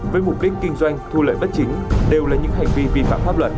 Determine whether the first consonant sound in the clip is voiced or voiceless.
voiced